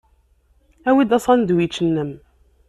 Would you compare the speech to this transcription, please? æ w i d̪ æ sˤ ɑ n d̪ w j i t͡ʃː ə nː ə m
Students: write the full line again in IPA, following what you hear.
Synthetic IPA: æ w i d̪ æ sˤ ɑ n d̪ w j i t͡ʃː ə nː ə m